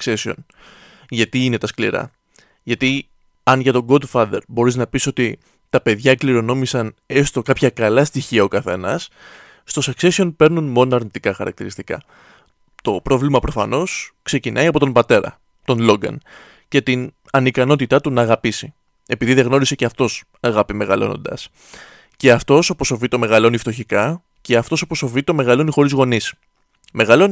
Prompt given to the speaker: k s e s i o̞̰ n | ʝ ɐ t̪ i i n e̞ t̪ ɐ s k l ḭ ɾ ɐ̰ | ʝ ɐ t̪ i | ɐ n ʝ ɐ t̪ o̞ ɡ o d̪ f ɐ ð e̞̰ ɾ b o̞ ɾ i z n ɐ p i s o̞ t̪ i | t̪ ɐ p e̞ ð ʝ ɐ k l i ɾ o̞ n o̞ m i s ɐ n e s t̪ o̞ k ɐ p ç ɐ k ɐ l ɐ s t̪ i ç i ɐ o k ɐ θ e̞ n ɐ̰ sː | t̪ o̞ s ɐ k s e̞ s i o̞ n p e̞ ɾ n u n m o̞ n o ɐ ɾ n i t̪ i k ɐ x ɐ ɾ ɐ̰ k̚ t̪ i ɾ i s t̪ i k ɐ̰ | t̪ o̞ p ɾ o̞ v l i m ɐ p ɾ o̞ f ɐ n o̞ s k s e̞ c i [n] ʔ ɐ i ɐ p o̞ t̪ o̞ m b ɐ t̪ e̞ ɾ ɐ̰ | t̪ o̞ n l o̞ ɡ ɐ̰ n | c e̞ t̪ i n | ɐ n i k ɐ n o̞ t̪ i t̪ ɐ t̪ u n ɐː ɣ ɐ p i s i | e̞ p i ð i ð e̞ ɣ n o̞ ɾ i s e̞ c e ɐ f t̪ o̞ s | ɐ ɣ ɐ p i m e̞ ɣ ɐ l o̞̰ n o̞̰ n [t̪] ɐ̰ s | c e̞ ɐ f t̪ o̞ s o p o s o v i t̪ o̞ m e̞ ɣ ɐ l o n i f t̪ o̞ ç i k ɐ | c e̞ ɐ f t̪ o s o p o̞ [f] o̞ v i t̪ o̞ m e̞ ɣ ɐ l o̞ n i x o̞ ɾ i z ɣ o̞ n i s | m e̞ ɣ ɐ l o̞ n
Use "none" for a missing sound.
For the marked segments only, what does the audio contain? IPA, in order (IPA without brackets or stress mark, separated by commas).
n, d̪, s